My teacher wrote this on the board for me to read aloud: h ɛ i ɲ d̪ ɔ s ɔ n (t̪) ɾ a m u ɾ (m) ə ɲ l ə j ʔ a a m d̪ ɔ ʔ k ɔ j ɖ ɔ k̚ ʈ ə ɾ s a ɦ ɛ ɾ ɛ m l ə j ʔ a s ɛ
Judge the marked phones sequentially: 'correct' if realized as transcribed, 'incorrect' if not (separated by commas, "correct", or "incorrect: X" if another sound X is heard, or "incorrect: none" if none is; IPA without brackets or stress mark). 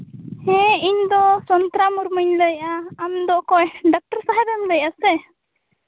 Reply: correct, correct